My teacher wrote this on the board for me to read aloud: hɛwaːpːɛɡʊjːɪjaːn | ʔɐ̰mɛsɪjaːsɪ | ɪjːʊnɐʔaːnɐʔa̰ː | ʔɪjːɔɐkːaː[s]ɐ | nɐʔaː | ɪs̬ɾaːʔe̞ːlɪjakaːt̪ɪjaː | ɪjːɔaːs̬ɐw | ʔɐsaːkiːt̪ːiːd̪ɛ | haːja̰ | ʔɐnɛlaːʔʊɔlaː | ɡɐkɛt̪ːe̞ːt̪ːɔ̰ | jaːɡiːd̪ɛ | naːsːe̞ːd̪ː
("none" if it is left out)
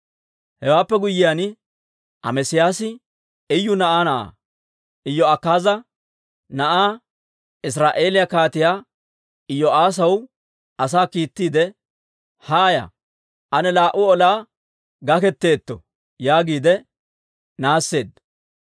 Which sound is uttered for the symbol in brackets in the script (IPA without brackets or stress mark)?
z